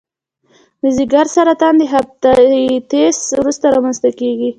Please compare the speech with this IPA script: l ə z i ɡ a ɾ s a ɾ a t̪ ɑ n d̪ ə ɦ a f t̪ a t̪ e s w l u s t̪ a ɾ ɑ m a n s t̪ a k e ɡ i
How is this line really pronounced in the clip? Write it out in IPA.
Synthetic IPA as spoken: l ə z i ɡ a ɾ s a ɾ a t̪ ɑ n d̪ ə ɦ a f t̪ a t̪ e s w ɾ u s t̪ a ɾ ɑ m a n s t̪ a k e ɡ i